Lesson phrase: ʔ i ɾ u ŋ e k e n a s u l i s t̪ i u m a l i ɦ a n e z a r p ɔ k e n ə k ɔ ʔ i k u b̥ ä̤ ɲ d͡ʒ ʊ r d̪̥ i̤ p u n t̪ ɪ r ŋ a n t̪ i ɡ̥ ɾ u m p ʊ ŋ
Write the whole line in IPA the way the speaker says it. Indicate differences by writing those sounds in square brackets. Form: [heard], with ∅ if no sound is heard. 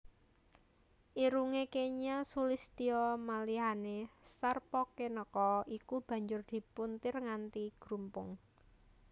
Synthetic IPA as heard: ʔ i ɾ u ŋ e k e [ɲ] a s u l i s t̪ i [ɔ] m a l i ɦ a n e [s] a r p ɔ k e n ə k ɔ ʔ i k u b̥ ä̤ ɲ d͡ʒ ʊ r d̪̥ i̤ p u n t̪ ɪ r ŋ a n t̪ i ɡ̥ ɾ u m p ʊ ŋ